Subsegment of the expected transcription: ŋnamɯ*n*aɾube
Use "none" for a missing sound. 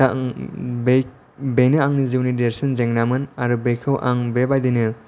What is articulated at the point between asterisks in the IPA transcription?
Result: n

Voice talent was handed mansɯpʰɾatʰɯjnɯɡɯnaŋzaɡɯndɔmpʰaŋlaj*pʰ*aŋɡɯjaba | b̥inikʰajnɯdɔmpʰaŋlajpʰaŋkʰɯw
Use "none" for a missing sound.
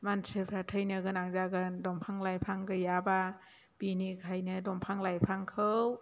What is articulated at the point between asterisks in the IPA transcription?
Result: pʰ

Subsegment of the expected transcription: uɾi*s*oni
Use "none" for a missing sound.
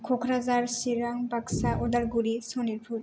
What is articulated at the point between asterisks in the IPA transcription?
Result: s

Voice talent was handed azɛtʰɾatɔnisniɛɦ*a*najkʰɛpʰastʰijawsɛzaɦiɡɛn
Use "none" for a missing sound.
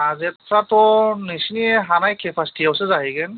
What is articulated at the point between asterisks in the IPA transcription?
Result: a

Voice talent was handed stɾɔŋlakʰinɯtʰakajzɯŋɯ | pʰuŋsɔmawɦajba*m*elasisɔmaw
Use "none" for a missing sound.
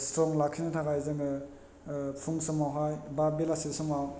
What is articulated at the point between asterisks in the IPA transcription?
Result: b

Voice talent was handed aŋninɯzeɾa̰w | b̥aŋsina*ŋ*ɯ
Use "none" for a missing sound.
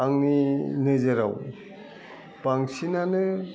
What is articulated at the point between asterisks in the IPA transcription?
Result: n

